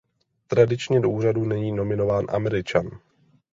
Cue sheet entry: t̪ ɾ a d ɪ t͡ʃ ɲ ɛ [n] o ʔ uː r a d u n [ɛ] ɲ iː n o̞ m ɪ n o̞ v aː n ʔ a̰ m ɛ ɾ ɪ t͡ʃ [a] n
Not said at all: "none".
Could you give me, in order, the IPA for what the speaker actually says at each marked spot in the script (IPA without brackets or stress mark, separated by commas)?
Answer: d, ɛ, a